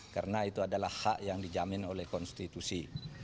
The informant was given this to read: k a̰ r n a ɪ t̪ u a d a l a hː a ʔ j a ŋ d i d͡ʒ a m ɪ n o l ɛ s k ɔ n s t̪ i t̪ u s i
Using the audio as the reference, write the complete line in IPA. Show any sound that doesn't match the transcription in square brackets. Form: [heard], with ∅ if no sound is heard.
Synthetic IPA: k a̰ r n a [i] t̪ u a d a l a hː a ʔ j a ŋ d i d͡ʒ a m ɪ n o l ɛ [h] k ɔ n s t̪ i t̪ u s i